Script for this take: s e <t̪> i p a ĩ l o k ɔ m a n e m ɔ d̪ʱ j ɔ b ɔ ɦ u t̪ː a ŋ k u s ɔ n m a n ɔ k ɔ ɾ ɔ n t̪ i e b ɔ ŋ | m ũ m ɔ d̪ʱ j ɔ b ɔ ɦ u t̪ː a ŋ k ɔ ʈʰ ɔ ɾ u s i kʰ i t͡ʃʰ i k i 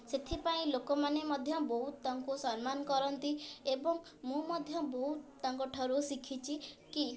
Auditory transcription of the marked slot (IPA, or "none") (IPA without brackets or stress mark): t̪ʰ